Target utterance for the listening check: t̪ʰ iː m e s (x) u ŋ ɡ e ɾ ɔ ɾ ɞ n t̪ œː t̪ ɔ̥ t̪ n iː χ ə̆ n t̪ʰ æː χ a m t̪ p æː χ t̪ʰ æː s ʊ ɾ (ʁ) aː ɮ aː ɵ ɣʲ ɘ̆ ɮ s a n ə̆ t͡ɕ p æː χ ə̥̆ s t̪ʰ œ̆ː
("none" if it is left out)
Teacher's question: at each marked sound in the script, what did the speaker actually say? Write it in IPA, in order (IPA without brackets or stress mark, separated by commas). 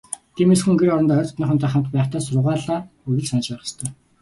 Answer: x, ʁ